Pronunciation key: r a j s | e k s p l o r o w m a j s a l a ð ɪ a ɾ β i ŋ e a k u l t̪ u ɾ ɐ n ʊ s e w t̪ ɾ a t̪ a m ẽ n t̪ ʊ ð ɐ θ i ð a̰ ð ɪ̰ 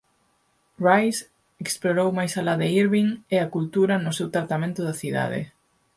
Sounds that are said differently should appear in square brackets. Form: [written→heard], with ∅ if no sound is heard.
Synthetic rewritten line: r a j s | e k s p l o [r→ɾ] o w m a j s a l a ð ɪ [a→i] ɾ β i ŋ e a k u l t̪ u ɾ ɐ n ʊ s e w t̪ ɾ a t̪ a m ẽ n t̪ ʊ ð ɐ θ i ð a̰ ð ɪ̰